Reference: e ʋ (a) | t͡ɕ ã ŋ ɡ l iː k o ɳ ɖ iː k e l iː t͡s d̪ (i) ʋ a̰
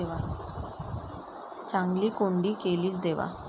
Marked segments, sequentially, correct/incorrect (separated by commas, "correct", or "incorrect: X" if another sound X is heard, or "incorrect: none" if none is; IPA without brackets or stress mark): correct, incorrect: e